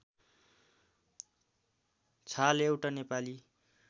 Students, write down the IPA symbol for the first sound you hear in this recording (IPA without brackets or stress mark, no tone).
t͡sʰ